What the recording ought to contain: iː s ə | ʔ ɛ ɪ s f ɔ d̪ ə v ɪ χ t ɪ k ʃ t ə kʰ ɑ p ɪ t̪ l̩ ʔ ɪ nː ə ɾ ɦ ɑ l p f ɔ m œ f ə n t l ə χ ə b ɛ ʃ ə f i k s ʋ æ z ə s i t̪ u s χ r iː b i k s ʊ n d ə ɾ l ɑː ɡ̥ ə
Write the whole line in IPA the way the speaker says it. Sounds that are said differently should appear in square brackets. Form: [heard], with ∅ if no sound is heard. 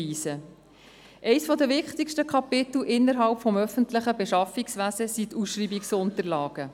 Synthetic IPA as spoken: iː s ə | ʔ ɛ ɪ s f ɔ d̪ ə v ɪ χ t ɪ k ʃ t ə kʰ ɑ p ɪ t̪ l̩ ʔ ɪ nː ə ɾ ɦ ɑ l p f ɔ m œ f ə n t l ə χ ə b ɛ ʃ [ɑ] f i k s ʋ æ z ə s i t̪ u s [ʃ] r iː b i k s ʊ n [t] ə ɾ l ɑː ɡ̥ ə